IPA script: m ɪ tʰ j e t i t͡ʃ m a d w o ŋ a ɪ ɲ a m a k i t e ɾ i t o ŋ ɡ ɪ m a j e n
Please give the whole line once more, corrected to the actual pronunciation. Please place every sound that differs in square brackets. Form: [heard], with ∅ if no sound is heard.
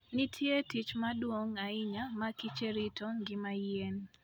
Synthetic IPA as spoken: [n] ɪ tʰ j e t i t͡ʃ m a d w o ŋ a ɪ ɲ a m a k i [t͡ʃ] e ɾ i t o ŋ ɡ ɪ m a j e n